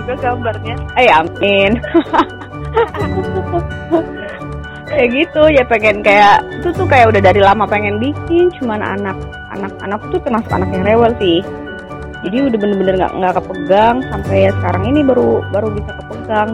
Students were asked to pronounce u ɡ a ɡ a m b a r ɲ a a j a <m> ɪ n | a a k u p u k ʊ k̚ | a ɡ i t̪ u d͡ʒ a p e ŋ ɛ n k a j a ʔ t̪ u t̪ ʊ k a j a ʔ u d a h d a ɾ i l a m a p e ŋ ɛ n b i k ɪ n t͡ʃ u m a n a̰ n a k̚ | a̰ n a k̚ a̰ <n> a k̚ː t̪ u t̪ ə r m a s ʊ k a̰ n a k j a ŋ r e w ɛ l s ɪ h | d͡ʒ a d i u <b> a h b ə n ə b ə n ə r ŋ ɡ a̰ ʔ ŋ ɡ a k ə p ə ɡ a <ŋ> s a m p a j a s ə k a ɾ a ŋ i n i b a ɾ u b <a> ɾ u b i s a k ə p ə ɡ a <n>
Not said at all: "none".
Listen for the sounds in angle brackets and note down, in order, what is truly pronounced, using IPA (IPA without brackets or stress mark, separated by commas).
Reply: m, n, d, ŋ, a, ŋ